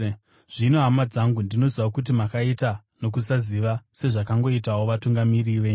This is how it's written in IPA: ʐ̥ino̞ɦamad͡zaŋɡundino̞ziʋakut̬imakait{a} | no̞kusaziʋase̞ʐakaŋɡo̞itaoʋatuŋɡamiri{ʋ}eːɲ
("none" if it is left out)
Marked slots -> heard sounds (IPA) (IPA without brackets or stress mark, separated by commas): a, ʋ